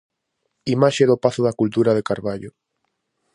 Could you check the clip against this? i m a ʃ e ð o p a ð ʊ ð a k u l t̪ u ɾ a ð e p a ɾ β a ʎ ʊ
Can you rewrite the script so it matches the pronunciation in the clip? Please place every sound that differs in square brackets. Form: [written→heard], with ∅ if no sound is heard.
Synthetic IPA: i m a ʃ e ð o p a [ð→θ] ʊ ð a k u l t̪ u ɾ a ð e [p→k] a ɾ β a ʎ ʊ